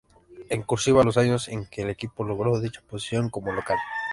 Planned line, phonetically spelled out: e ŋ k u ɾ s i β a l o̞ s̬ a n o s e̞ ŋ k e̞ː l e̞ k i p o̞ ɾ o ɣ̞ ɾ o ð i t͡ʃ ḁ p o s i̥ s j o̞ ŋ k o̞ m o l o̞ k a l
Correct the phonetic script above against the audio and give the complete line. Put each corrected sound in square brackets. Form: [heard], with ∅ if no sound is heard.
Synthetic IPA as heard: e ŋ k u ɾ s i β a l o̞ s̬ a [ɲ] o s e̞ ŋ k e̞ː l e̞ k i p o̞ [l] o ɣ̞ ɾ o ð i t͡ʃ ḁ p o s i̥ s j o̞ ŋ k o̞ m o l o̞ k a l